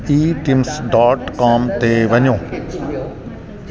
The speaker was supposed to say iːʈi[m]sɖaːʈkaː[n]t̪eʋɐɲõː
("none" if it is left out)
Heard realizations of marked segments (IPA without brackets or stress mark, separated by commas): m, m